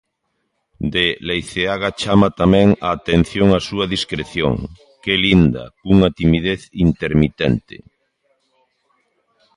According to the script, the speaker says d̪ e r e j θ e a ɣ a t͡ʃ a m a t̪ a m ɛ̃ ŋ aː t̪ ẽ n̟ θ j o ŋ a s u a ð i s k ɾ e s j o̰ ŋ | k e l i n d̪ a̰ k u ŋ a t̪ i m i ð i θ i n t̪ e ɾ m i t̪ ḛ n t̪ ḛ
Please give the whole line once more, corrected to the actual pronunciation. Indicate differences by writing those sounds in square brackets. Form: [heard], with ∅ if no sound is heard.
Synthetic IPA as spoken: d̪ e [l] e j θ e a ɣ a t͡ʃ a m a t̪ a m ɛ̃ ŋ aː t̪ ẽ n̟ θ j o ŋ a s u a ð i s k ɾ e [θ] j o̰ ŋ | k e l i n d̪ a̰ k u ŋ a t̪ i m i ð [e] θ i n t̪ e ɾ m i t̪ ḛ n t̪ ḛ